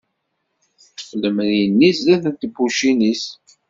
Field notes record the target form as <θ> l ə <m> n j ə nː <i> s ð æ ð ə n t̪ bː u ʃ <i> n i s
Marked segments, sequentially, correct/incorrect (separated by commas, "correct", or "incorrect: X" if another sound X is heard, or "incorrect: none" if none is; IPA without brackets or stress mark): incorrect: f, correct, correct, correct